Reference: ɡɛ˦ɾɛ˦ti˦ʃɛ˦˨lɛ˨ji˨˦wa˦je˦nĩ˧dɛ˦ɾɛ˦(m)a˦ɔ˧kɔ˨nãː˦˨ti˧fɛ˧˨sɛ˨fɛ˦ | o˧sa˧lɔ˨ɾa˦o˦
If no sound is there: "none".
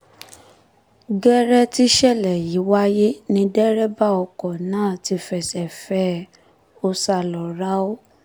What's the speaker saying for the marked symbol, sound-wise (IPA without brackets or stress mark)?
b